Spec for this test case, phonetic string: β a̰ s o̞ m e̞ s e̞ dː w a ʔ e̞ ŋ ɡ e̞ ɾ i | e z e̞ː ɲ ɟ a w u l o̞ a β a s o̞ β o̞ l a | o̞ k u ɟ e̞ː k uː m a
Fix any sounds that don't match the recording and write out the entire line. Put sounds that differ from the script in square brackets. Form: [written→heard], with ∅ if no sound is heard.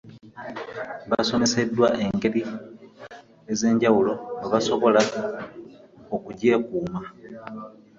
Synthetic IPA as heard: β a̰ s o̞ m e̞ s e̞ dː w a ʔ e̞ ŋ ɡ e̞ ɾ i | e z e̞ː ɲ ɟ a w u l o̞ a β a s o̞ β o̞ l a | o̞ k u ɟ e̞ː k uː m a